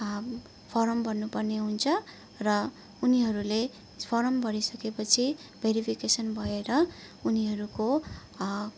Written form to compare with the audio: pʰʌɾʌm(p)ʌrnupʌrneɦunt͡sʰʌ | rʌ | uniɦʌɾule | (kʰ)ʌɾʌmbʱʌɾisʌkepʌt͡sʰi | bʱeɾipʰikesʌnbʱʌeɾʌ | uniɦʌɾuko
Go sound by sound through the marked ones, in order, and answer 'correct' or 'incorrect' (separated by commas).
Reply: incorrect, incorrect